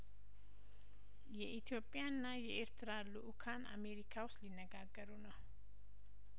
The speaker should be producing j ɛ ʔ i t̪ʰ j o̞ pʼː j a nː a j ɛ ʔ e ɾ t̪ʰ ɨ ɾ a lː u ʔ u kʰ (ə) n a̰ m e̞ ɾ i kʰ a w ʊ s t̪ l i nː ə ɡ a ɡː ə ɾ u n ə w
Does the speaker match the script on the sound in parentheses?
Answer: no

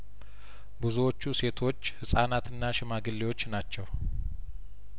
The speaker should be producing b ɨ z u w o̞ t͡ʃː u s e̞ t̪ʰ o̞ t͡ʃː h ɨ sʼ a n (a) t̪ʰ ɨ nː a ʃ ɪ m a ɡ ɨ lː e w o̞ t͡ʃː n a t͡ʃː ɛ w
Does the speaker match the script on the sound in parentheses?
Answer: yes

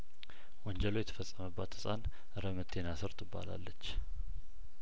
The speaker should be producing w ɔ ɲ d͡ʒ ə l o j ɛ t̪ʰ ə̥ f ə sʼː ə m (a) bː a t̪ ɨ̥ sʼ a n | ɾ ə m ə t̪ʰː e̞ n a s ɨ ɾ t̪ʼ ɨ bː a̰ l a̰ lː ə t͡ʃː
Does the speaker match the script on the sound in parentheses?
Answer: no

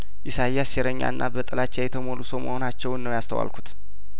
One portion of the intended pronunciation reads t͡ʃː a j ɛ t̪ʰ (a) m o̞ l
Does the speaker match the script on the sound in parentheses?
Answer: no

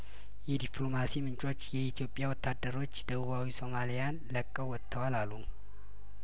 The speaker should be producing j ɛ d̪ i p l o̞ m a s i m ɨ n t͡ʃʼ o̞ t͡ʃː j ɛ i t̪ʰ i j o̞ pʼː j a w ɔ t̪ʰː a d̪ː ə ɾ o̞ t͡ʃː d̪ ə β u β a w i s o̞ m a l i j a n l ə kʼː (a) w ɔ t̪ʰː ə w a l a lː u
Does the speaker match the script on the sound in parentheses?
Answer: no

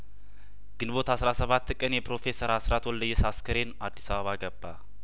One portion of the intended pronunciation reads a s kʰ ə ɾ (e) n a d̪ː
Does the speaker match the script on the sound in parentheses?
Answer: yes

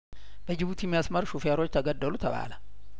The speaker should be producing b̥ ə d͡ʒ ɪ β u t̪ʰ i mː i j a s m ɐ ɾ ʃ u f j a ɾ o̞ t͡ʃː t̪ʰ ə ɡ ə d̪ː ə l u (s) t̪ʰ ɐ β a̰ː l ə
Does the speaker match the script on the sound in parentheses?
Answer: no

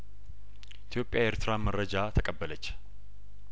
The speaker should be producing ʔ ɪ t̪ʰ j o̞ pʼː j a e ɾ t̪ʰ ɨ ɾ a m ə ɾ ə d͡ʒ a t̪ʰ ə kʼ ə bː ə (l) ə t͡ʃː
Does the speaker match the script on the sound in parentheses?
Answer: yes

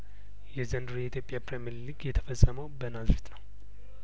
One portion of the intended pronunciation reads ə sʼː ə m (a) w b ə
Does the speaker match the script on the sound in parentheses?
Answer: no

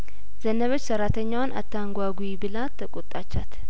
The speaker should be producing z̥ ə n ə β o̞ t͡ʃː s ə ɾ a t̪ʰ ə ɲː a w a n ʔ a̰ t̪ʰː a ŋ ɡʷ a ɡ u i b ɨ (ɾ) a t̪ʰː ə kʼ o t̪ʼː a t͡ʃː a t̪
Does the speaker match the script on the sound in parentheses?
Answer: no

